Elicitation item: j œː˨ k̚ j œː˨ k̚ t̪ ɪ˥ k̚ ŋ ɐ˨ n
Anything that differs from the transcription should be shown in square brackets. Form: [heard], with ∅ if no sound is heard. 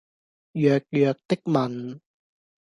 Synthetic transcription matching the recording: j œː˨ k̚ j œː˨ k̚ t̪ ɪ˥ k̚ [m] ɐ˨ n